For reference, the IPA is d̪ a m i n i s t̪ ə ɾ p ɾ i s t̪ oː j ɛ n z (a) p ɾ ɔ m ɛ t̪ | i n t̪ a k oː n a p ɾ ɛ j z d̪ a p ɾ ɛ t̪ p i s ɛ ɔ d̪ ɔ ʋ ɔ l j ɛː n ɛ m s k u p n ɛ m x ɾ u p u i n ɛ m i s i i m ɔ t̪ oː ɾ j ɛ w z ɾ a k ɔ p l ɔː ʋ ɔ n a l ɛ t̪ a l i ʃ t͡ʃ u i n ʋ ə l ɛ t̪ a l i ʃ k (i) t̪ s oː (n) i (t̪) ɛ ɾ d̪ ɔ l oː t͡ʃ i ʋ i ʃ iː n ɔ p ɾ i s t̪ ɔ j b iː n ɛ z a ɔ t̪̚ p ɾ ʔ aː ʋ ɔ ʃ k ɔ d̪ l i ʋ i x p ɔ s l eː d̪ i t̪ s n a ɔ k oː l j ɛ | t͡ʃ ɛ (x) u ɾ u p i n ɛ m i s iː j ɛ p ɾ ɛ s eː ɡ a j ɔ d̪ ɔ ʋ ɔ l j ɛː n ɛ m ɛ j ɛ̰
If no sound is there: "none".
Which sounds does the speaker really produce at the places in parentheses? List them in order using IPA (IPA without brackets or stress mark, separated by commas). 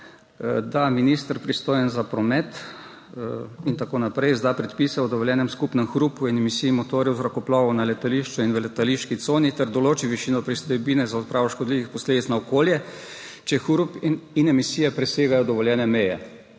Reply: a, i, n, t̪, x